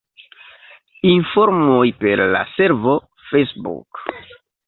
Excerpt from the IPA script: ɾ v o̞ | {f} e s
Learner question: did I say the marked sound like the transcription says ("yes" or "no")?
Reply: yes